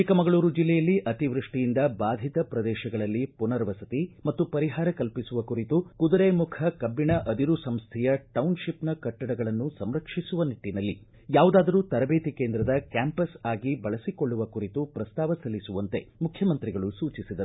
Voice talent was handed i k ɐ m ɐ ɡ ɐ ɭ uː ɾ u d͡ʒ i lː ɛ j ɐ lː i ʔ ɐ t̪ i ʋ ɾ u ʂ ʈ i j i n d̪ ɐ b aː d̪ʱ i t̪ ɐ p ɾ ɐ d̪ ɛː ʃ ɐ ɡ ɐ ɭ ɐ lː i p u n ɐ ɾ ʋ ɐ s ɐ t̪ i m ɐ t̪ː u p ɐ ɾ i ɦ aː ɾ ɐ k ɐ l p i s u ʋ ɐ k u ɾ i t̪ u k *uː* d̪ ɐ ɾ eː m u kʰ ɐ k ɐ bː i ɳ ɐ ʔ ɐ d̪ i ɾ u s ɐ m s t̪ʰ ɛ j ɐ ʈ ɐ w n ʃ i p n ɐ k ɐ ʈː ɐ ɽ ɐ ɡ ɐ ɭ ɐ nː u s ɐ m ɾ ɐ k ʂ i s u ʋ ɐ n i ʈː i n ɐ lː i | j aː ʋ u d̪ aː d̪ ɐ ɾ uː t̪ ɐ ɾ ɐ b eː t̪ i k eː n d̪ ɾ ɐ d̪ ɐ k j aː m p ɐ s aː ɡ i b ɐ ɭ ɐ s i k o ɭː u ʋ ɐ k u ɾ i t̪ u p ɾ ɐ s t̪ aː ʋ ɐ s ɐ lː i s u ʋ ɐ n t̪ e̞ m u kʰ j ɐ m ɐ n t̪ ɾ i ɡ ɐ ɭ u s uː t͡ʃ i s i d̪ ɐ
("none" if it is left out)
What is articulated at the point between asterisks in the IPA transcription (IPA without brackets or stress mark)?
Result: u